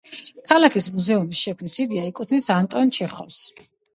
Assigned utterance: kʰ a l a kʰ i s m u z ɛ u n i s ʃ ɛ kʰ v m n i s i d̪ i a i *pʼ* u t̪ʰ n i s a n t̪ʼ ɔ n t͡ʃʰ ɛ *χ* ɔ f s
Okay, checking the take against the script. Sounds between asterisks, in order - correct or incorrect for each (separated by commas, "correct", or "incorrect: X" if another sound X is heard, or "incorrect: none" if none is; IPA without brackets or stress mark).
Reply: incorrect: kʼ, correct